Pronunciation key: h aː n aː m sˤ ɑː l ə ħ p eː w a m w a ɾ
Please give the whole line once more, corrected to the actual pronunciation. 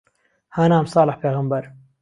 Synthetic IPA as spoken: h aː n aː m sˤ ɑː l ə ħ p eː ɣ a m b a ɾ